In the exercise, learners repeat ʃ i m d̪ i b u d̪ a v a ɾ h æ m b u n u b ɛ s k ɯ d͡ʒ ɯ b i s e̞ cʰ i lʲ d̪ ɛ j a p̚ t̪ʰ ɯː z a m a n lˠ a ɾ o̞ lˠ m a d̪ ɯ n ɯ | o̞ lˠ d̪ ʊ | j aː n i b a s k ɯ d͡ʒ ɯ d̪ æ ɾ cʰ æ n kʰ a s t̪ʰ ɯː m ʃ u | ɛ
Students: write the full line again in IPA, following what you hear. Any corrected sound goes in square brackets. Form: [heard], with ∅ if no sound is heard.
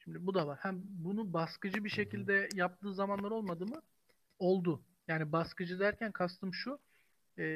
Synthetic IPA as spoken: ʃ i m d̪ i b u d̪ a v a ɾ h æ m b u n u b [a] s k ɯ d͡ʒ ɯ b i [ʃ] e̞ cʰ i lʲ d̪ ɛ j a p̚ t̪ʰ ɯː z a m a n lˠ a ɾ o̞ lˠ m a d̪ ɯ [m] ɯ | o̞ lˠ d̪ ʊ | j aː n i b a s k ɯ d͡ʒ ɯ d̪ æ ɾ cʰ æ n kʰ a s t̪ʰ [ɯ] m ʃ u | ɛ